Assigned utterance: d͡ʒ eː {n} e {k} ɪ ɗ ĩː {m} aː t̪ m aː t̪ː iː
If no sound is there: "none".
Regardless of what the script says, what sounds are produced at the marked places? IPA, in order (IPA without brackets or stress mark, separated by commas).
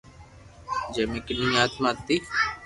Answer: m, k, none